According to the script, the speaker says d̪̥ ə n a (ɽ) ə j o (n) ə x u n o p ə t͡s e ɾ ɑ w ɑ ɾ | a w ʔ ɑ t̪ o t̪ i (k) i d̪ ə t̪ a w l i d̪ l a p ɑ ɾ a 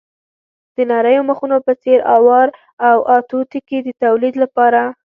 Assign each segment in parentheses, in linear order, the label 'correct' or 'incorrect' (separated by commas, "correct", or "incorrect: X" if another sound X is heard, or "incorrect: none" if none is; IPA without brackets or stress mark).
incorrect: ɾ, incorrect: m, correct